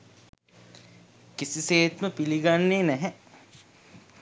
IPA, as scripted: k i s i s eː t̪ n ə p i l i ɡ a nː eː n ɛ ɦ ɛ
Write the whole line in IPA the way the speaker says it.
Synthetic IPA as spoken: k i s i s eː t̪ m ə p i l i ɡ a nː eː n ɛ ɦ ɛ